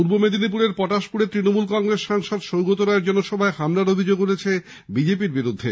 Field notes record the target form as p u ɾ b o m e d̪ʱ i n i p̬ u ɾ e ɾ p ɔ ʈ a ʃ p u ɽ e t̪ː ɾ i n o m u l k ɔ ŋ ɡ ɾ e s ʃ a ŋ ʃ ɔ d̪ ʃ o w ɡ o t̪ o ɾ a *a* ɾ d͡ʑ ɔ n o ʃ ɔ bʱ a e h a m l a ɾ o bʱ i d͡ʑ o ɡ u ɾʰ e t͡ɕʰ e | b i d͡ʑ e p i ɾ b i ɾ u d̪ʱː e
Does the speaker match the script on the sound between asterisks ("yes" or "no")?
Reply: no